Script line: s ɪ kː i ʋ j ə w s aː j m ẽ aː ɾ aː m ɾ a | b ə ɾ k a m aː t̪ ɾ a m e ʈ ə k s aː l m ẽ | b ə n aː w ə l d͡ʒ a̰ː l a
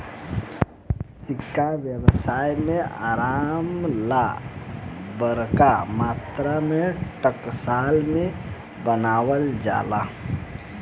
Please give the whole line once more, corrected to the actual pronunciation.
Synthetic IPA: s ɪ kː a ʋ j ə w s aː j m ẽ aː ɾ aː m l a | b ə ɾ k a m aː t̪ ɾ a m e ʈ ə k s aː l m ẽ | b ə n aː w ə l d͡ʒ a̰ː l a